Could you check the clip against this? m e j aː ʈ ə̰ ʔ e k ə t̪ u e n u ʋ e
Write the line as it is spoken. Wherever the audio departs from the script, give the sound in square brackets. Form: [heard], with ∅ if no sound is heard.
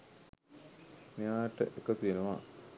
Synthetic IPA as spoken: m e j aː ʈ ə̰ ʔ e k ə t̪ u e n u ʋ [a]

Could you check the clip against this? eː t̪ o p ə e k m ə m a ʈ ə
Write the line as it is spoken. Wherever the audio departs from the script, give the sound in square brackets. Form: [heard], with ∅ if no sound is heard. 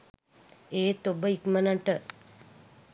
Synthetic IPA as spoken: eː t̪ o [b] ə [i] k m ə [n] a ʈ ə

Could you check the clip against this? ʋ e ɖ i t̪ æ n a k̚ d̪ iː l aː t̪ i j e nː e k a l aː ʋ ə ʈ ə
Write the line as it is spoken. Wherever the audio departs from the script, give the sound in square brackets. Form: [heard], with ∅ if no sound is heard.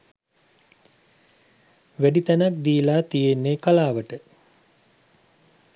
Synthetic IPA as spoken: ʋ [æ] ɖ i t̪ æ n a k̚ d̪ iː l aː t̪ i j e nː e k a l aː ʋ ə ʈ ə

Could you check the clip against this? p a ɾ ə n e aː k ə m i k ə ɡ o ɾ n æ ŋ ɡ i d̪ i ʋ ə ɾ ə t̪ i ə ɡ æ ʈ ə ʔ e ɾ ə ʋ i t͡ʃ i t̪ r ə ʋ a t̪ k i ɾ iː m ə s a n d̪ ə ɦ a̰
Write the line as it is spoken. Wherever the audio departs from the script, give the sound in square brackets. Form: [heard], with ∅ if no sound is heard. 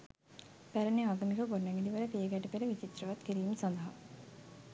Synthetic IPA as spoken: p [æ] ɾ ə n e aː [ɡ] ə m i k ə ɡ o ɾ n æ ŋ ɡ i d̪ i ʋ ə ɾ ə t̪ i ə ɡ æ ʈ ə [p] e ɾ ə ʋ i t͡ʃ i t̪ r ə ʋ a t̪ k i ɾ iː m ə s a n d̪ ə ɦ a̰

